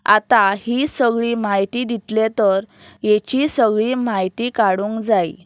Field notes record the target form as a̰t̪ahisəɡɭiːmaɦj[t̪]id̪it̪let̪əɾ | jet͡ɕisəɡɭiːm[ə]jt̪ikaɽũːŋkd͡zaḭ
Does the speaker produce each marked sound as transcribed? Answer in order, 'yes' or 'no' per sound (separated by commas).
yes, no